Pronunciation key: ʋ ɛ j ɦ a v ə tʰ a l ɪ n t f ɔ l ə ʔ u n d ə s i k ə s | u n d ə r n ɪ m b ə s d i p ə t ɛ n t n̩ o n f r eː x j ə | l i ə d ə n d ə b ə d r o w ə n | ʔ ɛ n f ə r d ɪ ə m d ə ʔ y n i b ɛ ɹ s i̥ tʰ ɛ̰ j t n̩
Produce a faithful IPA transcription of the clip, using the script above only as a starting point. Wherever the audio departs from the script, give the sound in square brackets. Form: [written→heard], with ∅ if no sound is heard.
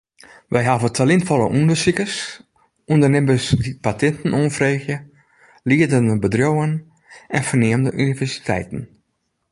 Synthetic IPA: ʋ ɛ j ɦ a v ə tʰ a l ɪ n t f ɔ l ə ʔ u n d ə s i k ə s | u n d ə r n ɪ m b ə s d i p [ə→a] t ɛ n t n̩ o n f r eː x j ə | l i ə d ə n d ə b ə d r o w ə n | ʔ ɛ n f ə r [d→n] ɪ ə m d ə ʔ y n i [b→v] ɛ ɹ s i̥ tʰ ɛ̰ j t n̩